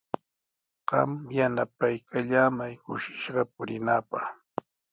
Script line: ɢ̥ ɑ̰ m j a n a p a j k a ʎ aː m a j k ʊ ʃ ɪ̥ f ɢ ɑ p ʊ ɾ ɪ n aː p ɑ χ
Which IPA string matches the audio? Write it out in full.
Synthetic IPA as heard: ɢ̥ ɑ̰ m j a n a p a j k a ʎ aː m a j k ʊ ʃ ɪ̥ ʃ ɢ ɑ p ʊ ɾ ɪ n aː p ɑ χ

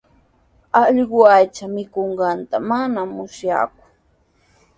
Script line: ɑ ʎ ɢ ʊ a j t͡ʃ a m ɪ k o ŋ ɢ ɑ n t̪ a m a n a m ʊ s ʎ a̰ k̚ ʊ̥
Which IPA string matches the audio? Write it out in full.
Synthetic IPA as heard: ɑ ʎ ɢ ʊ a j t͡ʃ a m ɪ k o ɴ ɢ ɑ n t̪ a m a n a m ʊ s j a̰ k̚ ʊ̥

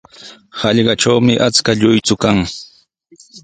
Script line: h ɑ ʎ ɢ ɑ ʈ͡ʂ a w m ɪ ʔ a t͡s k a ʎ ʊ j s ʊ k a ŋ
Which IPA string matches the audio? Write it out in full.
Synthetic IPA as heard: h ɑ ʎ ɢ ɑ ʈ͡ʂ a w m ɪ ʔ a t͡s k a ʎ ʊ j t͡s ʊ k a ŋ

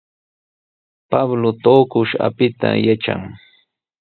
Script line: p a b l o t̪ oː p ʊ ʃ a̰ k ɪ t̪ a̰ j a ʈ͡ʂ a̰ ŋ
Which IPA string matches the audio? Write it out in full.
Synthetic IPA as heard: p a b l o t̪ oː k ʊ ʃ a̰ p ɪ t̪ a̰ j a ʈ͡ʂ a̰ ŋ

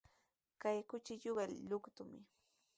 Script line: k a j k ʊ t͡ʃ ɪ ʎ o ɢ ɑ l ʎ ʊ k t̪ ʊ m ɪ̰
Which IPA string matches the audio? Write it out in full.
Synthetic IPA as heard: k a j k ʊ t͡ʃ ɪ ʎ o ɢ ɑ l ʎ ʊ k t̪ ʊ m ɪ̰

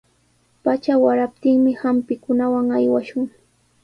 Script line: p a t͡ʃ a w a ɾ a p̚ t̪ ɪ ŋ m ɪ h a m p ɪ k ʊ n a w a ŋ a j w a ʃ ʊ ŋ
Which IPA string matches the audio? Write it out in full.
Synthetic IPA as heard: p a t͡ʃ a w a ɾ a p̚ t̪ ɪ ŋ m ɪ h a m p ɪ k ʊ n a w a ŋ a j w a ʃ ʊ ŋ

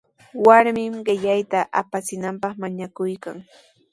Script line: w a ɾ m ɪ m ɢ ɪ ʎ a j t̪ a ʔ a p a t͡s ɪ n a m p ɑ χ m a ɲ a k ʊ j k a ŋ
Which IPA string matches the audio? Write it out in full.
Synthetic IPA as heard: w a ɾ m ɪ m ɢ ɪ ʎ a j t̪ a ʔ a p a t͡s ɪ n a m p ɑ χ m a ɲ a k ʊ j k a ŋ

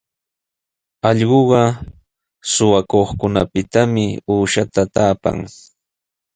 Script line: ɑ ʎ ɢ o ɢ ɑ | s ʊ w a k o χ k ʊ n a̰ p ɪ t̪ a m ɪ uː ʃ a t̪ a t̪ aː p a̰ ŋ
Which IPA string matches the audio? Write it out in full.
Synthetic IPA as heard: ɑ ʎ ɢ o ɢ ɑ | s ʊ w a k o χ k ʊ n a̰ p ɪ t̪ a m ɪ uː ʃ a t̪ a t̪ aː p a̰ ŋ

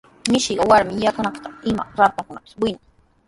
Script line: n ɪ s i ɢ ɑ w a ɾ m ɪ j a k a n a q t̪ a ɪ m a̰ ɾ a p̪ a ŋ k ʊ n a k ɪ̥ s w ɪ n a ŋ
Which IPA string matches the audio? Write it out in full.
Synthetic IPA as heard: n ɪ ʃ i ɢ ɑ w a ɾ m ɪ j a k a n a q t̪ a ɪ m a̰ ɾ a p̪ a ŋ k ʊ n a p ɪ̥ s w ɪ n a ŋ

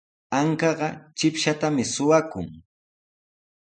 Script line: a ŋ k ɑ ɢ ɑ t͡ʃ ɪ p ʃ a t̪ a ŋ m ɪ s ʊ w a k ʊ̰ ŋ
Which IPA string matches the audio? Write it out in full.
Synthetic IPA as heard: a ŋ k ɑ ɢ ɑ t͡ʃ ɪ p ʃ a t̪ a m ɪ s ʊ w a k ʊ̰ ŋ

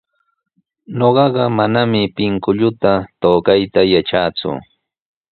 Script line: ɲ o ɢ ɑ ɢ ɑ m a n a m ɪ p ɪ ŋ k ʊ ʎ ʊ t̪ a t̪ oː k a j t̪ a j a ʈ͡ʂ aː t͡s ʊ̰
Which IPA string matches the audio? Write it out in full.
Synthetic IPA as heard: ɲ o ɢ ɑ ɢ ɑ m a n a m ɪ p ɪ ŋ k ʊ ʎ ʊ t̪ a t̪ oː k a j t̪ a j a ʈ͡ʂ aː t͡s ʊ̰

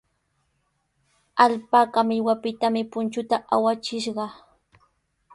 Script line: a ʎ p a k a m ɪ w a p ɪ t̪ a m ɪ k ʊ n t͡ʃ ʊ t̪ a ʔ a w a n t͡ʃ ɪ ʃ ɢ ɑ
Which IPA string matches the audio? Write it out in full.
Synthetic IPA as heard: a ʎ p a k a m ɪ w a p ɪ t̪ a m ɪ p ʊ n t͡ʃ ʊ t̪ a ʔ a w a t͡ʃ ɪ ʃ ɢ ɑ

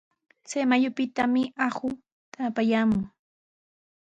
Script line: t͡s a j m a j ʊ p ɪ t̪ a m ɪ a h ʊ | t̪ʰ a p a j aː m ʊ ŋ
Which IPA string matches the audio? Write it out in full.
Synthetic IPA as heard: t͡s a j m a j ʊ p ɪ t̪ a m ɪ a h ʊ | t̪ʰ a p a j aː m ʊ ŋ

